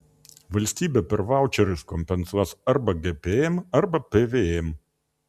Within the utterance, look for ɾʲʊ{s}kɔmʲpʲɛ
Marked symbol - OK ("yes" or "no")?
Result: yes